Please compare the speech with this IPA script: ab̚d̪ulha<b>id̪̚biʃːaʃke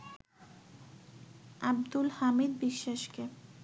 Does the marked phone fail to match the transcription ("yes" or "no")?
yes